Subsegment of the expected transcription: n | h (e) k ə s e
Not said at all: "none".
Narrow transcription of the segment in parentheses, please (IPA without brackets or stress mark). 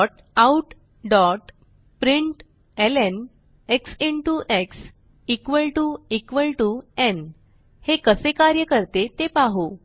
e